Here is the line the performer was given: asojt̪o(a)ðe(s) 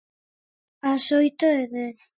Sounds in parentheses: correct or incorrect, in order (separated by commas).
incorrect, incorrect